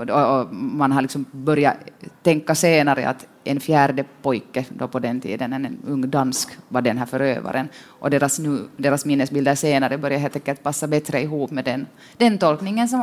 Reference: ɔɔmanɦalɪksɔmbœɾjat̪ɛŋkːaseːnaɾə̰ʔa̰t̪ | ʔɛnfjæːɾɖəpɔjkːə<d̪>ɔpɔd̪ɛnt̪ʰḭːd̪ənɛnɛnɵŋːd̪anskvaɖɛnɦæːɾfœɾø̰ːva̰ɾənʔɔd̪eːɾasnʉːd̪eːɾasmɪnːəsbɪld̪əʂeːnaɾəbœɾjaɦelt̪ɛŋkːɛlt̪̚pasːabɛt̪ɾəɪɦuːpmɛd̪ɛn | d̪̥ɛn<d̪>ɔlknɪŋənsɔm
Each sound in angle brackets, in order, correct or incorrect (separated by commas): correct, incorrect